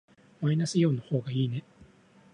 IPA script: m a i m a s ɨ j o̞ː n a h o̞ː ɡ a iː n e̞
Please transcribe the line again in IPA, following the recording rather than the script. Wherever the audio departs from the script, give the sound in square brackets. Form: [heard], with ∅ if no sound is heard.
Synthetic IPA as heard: m a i [n] a s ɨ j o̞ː n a h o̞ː ɡ a iː n e̞